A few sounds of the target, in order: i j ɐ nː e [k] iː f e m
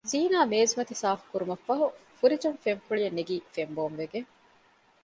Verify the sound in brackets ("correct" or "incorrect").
incorrect